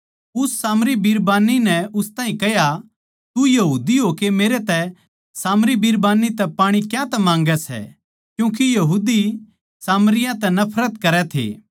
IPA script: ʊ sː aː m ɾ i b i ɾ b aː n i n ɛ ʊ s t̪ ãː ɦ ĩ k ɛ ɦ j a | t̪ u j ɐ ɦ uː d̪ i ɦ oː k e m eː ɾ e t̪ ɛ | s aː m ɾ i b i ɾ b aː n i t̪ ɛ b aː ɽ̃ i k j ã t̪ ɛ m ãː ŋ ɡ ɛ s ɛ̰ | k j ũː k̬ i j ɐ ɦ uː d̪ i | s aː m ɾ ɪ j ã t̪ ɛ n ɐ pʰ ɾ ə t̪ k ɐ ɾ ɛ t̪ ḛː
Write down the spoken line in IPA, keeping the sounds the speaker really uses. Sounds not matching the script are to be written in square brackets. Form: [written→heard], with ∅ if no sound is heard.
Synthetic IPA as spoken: ʊ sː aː m ɾ i b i ɾ b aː n i n ɛ ʊ s t̪ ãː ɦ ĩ k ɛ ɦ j a | t̪ u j ɐ ɦ uː d̪ i ɦ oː k e m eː ɾ e t̪ ɛ | s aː m ɾ i b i ɾ b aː n i t̪ ɛ [b→p] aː ɽ̃ i k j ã t̪ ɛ m ãː ŋ ɡ ɛ s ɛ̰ | k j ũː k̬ i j ɐ ɦ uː d̪ i | s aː m ɾ ɪ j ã t̪ ɛ n ɐ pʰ ɾ ə t̪ k ɐ ɾ ɛ [t̪→t̪ʰ] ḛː